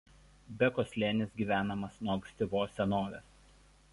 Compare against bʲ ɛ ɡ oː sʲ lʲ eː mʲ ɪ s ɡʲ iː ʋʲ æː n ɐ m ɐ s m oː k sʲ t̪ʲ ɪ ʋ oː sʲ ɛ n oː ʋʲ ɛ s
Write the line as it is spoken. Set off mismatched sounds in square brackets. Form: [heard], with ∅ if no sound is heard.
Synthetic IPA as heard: bʲ ɛ [k] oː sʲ lʲ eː [nʲ] ɪ s ɡʲ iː ʋʲ æː n ɐ m ɐ s [n] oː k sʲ t̪ʲ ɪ ʋ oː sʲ ɛ n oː ʋʲ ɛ s